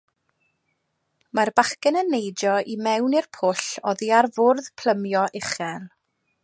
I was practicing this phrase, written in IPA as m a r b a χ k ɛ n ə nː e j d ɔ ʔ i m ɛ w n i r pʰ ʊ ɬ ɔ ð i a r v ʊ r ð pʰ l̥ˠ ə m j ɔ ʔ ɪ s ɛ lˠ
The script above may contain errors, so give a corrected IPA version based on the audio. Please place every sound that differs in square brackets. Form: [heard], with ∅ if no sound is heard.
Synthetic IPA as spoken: m a r b a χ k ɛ n ə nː e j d ɔ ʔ i m ɛ w n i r pʰ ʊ ɬ ɔ ð i a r v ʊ r ð pʰ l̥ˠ ə m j ɔ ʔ ɪ [χ] ɛ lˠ